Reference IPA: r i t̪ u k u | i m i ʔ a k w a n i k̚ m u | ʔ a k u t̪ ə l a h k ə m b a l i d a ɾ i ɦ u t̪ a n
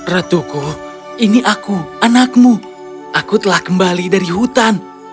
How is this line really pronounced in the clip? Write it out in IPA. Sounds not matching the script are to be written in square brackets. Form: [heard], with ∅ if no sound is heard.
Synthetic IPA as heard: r [a] t̪ u k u | i [n] i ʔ a k [u] a n [a] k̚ m u | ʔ a k u t̪ ə l a h k ə m b a l i d a ɾ i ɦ u t̪ a n